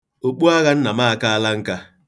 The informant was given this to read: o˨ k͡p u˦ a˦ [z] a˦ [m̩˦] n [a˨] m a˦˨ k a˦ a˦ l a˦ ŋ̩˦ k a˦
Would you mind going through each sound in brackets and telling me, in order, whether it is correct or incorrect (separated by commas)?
incorrect, incorrect, correct